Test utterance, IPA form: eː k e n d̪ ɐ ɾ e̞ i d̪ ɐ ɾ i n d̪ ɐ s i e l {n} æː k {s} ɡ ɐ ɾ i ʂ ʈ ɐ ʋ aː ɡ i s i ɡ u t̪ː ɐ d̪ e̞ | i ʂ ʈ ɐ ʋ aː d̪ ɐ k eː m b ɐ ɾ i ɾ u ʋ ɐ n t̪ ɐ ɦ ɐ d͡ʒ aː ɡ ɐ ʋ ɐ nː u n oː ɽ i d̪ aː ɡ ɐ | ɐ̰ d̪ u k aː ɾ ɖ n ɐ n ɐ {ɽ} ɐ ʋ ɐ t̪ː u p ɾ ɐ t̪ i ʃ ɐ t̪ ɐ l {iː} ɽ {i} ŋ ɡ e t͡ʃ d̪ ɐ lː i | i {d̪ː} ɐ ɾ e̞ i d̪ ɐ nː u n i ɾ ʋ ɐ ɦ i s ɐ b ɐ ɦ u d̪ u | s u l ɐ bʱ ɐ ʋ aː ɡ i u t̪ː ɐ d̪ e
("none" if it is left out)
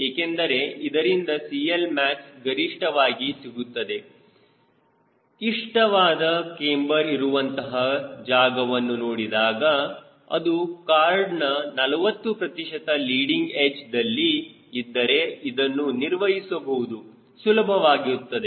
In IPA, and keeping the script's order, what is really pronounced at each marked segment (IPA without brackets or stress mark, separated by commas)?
m, s, l, iː, i, d̪ː